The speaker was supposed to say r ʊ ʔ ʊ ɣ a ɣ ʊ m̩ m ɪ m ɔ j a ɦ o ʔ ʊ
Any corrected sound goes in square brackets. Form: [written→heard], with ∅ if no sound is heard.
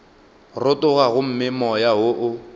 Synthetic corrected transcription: r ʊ [ʔ→t] ʊ ɣ a ɣ ʊ m̩ m ɪ m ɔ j a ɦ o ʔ ʊ